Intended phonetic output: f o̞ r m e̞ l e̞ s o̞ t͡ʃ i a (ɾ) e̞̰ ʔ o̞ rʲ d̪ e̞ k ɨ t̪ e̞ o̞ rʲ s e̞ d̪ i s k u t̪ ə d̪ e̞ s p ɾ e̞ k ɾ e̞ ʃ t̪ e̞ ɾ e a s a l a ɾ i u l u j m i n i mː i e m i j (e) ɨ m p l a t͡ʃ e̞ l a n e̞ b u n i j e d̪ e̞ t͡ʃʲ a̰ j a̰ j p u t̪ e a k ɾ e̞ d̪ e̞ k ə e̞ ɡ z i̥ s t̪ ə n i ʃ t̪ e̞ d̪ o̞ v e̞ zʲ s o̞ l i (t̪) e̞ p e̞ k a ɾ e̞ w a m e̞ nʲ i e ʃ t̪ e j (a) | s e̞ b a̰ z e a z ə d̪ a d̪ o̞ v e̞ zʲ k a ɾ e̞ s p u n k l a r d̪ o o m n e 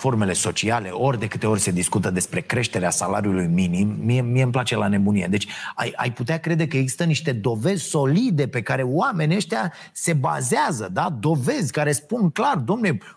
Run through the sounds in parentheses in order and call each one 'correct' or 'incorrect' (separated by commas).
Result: incorrect, correct, incorrect, correct